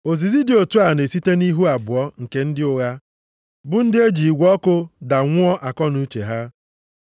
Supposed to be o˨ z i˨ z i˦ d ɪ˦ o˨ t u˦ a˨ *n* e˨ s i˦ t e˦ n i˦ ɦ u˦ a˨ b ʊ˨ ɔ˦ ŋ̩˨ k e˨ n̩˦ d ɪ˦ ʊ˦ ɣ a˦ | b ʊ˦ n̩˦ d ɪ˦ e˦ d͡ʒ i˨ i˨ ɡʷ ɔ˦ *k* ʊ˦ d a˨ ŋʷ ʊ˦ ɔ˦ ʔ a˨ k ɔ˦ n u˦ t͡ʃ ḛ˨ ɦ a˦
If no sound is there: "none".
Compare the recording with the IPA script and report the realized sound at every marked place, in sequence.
n, k

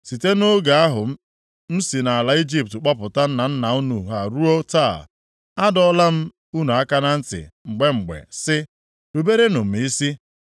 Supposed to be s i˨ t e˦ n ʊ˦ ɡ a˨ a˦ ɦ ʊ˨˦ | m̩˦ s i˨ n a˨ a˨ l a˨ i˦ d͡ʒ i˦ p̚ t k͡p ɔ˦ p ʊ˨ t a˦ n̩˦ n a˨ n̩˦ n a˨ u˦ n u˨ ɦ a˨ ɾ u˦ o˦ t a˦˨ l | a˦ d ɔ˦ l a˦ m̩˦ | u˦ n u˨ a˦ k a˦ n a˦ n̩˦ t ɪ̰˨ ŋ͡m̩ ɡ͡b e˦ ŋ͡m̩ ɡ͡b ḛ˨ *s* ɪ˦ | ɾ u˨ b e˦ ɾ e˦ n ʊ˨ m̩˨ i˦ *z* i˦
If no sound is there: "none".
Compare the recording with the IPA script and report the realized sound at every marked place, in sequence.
s, s

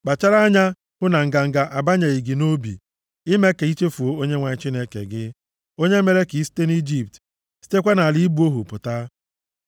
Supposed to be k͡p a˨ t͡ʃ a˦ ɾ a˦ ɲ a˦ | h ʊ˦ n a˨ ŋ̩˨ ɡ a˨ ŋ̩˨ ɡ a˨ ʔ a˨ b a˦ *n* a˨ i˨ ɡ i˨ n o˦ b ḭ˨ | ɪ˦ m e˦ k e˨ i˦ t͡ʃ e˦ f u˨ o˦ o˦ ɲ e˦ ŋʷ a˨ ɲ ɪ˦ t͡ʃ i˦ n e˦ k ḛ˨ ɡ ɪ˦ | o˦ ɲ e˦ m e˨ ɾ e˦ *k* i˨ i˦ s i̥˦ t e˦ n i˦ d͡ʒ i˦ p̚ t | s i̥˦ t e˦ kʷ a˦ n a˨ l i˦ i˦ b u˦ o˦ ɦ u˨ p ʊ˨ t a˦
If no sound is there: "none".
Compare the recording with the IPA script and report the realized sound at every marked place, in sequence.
ɲ, k

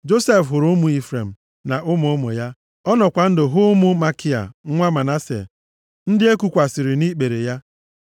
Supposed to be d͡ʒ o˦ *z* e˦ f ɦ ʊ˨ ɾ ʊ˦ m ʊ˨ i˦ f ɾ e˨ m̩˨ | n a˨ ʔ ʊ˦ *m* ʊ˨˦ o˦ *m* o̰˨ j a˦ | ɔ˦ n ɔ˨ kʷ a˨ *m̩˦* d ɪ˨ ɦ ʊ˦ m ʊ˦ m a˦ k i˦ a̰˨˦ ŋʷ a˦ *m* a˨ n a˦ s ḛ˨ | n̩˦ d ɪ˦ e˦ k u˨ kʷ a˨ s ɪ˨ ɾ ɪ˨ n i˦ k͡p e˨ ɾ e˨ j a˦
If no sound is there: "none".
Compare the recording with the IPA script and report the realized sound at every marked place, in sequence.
s, m, m, n̩˦, m

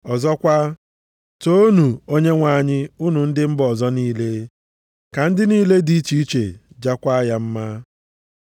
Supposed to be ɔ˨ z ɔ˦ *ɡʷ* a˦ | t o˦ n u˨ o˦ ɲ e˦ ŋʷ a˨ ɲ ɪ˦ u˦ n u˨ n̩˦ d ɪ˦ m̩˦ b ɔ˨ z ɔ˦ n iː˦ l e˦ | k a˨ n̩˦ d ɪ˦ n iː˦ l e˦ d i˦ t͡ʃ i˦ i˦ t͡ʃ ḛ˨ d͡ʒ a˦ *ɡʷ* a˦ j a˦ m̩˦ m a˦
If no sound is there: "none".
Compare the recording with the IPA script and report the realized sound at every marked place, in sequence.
kʷ, kʷ

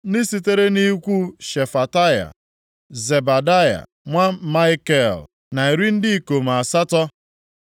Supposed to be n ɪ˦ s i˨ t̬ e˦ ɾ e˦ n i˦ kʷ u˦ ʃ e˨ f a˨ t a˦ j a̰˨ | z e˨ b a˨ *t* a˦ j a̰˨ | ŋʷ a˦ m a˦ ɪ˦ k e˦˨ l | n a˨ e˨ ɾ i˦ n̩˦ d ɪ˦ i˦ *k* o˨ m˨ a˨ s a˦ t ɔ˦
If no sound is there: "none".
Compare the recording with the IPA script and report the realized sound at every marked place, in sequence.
d, k

